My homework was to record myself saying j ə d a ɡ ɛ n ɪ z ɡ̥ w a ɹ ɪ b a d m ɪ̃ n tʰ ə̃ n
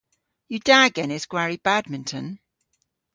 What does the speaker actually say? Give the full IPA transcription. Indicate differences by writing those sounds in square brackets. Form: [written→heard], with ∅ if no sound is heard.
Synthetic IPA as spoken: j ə d a ɡ ɛ n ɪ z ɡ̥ w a ɹ [ɪ→i] b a d m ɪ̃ n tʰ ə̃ n